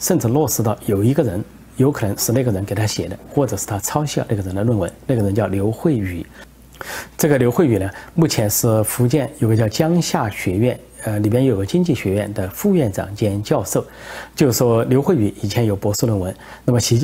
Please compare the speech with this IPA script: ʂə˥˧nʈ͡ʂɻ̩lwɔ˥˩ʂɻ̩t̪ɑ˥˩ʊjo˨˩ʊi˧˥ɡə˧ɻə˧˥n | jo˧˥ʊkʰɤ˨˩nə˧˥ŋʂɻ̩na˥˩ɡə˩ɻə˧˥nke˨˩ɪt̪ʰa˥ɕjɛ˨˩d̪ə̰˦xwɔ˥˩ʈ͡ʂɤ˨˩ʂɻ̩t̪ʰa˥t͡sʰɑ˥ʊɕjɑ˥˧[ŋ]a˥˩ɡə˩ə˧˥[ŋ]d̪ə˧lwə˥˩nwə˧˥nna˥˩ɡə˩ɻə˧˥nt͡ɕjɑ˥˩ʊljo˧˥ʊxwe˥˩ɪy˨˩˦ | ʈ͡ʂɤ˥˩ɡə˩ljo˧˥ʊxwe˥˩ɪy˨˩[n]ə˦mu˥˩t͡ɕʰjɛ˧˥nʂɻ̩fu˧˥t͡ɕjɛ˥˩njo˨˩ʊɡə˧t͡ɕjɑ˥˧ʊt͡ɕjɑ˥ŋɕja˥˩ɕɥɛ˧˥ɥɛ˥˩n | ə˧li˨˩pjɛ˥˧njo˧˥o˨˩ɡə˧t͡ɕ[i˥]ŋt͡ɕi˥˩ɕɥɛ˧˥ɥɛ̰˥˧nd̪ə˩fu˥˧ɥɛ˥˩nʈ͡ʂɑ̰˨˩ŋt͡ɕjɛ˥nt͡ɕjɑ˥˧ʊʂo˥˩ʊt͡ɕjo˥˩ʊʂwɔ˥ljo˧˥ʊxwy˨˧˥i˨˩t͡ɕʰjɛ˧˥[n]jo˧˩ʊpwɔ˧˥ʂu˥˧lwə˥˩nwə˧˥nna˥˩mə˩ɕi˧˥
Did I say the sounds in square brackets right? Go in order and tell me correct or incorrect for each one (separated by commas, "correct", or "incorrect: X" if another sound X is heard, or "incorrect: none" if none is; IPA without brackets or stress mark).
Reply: incorrect: n, incorrect: n, correct, correct, correct